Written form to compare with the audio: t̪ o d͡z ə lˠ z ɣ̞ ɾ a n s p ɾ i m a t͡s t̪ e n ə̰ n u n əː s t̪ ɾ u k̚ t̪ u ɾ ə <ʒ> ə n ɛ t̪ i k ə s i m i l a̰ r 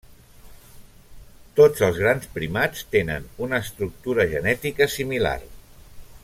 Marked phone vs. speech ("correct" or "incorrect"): correct